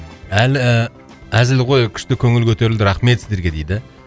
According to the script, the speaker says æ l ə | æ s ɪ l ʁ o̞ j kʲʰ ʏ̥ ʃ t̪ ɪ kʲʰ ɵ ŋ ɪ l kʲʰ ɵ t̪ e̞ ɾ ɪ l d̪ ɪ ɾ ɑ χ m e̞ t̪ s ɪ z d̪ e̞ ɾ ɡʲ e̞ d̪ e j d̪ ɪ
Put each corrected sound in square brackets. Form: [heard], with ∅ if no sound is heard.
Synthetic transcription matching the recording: æ l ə | æ [z] ɪ l ʁ o̞ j kʲʰ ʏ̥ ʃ t̪ ɪ kʲʰ ɵ ŋ ɪ l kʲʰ ɵ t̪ e̞ ɾ ɪ l d̪ ɪ ɾ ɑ χ m e̞ t̪ s ɪ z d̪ e̞ ɾ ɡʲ e̞ d̪ e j d̪ ɪ